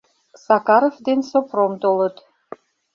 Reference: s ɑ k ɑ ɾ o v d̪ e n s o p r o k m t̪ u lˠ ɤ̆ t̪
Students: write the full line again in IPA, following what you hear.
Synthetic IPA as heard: s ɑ k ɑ ɾ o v d̪ e n s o p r o m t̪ o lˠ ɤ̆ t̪